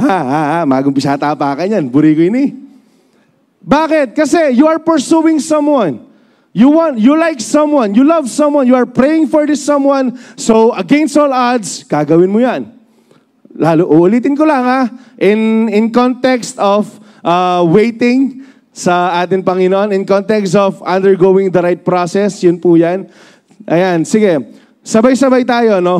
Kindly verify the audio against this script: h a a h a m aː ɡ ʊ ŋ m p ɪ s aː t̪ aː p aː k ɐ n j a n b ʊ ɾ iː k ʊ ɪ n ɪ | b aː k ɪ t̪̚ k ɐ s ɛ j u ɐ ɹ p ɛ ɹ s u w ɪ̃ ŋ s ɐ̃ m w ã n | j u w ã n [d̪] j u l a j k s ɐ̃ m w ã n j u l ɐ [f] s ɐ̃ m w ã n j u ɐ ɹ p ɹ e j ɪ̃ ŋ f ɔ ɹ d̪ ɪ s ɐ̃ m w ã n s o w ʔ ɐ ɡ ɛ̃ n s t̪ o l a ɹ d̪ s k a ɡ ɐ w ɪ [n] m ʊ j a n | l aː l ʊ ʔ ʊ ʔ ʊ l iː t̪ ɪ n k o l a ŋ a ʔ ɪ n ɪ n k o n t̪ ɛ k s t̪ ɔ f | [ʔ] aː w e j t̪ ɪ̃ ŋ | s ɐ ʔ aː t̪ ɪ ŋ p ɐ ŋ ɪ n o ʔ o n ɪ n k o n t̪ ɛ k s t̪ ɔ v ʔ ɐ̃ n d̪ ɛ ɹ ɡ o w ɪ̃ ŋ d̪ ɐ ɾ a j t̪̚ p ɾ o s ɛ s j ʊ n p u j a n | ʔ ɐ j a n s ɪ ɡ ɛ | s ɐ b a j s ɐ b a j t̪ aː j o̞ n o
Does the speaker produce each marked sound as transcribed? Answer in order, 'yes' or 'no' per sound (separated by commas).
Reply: no, no, yes, yes